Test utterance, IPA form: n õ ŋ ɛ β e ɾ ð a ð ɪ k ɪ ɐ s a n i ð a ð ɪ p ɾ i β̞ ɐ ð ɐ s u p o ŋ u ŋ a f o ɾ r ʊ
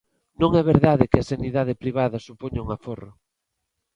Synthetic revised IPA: n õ ŋ ɛ β e ɾ ð a ð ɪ k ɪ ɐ s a n i ð a ð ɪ p ɾ i β̞ a ð ɐ s u p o ɲ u ŋ a f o r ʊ

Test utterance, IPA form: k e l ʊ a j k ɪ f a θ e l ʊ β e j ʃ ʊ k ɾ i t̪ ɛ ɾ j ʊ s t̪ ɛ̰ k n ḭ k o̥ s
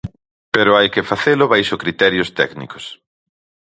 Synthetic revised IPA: p e ɾ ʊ a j k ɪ f a θ e l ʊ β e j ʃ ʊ k ɾ i t̪ ɛ ɾ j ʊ s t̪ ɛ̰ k n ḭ k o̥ s

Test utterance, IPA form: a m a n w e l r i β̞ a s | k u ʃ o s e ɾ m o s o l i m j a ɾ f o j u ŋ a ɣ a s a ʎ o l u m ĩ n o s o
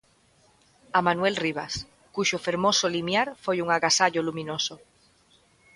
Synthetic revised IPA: a m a n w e l r i β̞ a s | k u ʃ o f e ɾ m o s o l i m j a ɾ f o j u ŋ a ɣ a s a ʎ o l u m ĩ n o s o

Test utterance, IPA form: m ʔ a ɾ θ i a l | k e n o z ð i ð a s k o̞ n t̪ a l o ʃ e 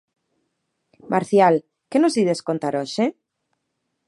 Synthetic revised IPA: m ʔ a ɾ θ j a l | k e n o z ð i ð e s k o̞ n t̪ a ɾ o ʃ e

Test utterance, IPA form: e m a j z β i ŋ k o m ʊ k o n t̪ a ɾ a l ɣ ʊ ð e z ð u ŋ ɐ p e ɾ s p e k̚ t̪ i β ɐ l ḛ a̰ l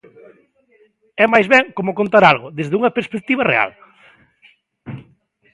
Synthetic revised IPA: ɛ m a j z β ɛ ŋ k o m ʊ k o n t̪ a ɾ a l ɣ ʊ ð e z ð u ŋ ɐ p e ɾ s p e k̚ t̪ i β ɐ r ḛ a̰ l

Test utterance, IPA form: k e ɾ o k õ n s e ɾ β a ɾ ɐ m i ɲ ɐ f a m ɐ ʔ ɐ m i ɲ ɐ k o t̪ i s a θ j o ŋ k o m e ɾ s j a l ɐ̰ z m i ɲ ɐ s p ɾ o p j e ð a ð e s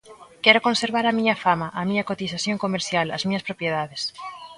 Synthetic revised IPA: k ɛ ɾ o k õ n s e ɾ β a ɾ ɐ m i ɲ ɐ f a m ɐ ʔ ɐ m i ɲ ɐ k o t̪ i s a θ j o ŋ k o m e ɾ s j a l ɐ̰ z m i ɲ ɐ s p ɾ o p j e ð a ð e s

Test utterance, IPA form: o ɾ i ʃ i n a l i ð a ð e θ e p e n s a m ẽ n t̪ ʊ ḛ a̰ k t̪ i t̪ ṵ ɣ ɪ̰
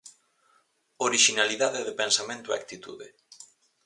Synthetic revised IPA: o ɾ i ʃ i n a l i ð a ð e ð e p e n s a m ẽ n t̪ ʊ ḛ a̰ k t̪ i t̪ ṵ ð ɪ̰

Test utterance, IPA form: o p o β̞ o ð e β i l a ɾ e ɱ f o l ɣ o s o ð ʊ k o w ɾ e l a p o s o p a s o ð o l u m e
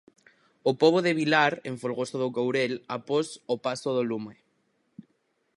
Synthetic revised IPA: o p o β̞ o ð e β i l a ɾ e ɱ f o l ɣ o s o ð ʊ k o w ɾ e l a p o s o p a s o ð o l u m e

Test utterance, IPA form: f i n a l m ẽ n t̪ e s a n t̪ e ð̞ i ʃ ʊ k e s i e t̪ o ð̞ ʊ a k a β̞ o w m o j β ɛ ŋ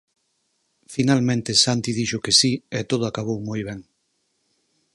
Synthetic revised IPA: f i n a l m ẽ n t̪ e s a n t̪ i ð̞ i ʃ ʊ k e s i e t̪ o ð̞ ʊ a k a β̞ o w m o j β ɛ ŋ

